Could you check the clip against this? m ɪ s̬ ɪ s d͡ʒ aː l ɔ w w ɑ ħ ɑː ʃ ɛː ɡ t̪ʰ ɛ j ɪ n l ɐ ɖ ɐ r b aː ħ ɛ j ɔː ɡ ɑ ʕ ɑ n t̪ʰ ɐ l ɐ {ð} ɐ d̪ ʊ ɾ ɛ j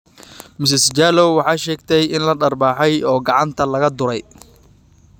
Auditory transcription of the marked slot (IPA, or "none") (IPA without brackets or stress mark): ɣ